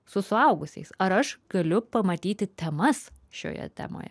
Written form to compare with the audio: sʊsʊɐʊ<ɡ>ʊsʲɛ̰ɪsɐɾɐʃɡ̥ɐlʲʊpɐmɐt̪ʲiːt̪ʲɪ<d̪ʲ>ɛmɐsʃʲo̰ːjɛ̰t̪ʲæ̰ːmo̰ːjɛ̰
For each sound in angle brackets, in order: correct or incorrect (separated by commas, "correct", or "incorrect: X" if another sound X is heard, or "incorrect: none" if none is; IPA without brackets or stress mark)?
correct, incorrect: t̪ʲ